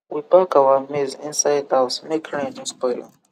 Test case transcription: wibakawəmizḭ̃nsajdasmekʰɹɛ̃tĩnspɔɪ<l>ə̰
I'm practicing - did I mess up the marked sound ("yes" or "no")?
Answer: no